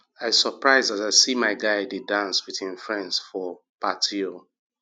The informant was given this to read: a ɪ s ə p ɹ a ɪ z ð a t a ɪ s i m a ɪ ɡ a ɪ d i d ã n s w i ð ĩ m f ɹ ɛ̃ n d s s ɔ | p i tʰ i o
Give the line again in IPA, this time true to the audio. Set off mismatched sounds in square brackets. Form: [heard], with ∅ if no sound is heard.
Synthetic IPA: a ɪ s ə p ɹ a ɪ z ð a t a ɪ s i m a ɪ ɡ a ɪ d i d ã n s w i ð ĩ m f ɹ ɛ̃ n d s [f] ɔ | p [a] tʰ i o